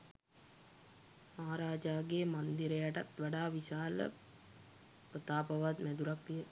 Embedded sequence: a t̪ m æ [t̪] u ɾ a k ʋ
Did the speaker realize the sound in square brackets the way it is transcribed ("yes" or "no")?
no